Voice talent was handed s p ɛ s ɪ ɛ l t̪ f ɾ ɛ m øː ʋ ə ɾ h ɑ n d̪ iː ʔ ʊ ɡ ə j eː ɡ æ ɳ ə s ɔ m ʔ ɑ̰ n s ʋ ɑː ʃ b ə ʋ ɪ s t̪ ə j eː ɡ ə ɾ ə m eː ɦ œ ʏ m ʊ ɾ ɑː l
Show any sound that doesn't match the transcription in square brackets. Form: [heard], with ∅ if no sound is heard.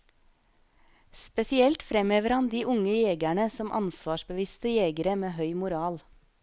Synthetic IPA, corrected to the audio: s p ɛ s ɪ ɛ l t̪ f ɾ ɛ m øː ʋ ə ɾ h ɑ n d̪ iː ʔ ʊ [ŋ] ə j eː ɡ æ ɳ ə s ɔ m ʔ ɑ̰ n s ʋ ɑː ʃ b ə ʋ ɪ s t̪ ə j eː ɡ ə ɾ ə m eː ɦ œ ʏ m ʊ ɾ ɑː l